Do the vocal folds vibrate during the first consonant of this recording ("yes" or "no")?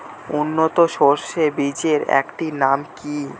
yes